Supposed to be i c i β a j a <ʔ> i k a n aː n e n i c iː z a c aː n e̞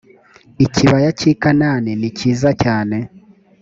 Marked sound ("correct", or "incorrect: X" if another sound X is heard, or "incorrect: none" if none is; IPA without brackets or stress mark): incorrect: c